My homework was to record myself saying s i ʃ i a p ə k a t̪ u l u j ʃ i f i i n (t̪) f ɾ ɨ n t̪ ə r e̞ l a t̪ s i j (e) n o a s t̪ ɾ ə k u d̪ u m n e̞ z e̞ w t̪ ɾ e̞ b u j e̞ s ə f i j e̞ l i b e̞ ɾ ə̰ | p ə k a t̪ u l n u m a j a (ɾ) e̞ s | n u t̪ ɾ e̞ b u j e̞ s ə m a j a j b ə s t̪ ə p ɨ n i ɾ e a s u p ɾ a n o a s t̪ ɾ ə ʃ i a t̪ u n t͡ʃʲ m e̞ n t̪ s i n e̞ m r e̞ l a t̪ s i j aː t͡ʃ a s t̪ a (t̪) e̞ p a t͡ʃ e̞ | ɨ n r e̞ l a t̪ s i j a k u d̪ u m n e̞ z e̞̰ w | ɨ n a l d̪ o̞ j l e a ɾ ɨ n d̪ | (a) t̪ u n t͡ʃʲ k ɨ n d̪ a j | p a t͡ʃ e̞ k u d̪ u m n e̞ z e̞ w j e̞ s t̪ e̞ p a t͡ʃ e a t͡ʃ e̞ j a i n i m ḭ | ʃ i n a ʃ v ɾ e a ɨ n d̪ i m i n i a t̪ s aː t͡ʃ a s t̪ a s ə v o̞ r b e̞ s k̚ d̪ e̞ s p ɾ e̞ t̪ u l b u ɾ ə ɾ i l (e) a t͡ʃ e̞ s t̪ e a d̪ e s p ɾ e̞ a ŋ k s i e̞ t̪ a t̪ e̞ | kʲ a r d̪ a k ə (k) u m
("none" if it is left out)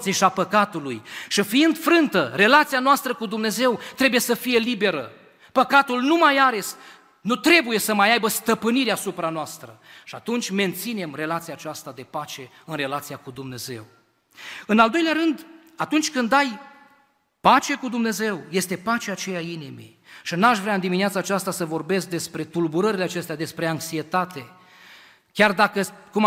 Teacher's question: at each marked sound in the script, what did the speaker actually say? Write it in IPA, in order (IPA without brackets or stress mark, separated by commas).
d̪, a, ɾ, d̪, a, e, k